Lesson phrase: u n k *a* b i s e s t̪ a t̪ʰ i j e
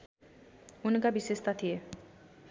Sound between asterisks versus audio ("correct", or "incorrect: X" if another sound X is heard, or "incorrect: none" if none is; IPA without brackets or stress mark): correct